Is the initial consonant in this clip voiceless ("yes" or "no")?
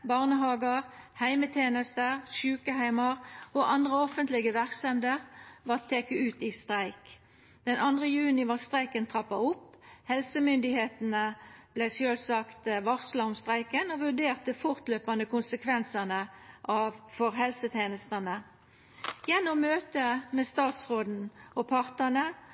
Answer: no